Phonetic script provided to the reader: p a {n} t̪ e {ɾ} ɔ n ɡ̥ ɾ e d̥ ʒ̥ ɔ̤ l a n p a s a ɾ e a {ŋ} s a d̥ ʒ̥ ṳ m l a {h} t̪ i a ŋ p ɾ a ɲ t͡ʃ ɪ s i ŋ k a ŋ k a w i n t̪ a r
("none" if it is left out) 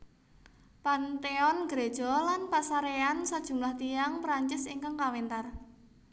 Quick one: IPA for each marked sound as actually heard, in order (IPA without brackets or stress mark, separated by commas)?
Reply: n, none, n, h